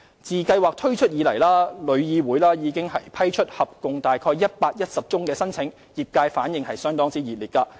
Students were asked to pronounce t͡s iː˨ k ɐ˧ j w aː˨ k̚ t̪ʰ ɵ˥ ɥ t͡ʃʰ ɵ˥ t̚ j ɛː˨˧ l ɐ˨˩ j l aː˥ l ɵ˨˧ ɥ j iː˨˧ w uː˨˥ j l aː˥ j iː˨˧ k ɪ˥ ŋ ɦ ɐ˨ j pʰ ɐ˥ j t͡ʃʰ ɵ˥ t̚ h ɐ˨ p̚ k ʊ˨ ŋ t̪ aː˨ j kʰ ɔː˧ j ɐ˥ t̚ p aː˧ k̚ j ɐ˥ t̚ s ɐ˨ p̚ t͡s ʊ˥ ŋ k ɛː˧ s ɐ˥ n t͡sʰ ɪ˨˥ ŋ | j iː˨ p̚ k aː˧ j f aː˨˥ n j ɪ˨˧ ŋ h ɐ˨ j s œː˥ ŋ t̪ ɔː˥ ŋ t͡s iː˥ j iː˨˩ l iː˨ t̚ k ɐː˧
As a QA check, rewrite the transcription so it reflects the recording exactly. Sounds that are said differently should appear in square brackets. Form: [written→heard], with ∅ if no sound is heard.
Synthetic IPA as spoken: t͡s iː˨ k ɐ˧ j w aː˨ k̚ t̪ʰ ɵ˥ ɥ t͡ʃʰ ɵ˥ t̚ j [ɛː˨˧→iː˨˧] l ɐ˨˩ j l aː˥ l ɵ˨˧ ɥ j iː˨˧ w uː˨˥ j l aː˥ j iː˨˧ k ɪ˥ ŋ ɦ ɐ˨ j pʰ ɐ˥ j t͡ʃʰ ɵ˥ t̚ h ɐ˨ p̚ k ʊ˨ ŋ t̪ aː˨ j kʰ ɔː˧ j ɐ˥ t̚ p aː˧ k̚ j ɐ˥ t̚ s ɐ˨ p̚ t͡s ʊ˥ ŋ k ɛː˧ s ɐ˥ n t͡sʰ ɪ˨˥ ŋ | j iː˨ p̚ k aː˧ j f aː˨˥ n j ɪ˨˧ ŋ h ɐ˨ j s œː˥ ŋ t̪ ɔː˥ ŋ t͡s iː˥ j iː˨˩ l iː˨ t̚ k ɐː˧